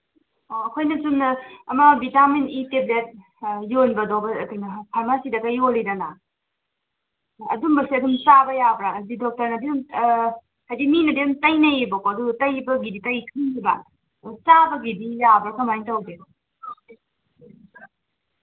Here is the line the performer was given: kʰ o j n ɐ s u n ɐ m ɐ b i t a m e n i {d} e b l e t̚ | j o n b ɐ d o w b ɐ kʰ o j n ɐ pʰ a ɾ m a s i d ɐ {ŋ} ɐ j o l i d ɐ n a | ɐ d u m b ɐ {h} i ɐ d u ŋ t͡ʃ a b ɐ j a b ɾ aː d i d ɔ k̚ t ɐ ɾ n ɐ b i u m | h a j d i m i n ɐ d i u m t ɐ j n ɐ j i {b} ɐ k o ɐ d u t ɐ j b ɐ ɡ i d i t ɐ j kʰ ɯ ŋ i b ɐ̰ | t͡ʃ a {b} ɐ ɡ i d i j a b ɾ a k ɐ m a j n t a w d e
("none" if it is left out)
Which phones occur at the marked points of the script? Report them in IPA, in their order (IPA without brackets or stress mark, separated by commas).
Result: t, ɡ, s, b, b